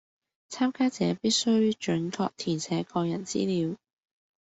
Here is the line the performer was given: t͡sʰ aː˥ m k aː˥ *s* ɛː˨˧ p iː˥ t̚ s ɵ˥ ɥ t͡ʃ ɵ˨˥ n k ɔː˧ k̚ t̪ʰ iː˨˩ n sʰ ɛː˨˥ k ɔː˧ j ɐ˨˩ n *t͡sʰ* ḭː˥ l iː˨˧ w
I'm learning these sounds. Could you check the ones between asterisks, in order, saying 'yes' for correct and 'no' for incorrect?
no, no

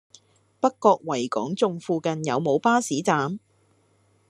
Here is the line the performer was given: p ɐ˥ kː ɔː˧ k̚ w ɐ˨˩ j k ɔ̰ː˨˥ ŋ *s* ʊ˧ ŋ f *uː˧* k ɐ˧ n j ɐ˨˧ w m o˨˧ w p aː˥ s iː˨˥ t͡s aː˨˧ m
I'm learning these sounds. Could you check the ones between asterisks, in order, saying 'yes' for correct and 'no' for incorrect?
no, yes

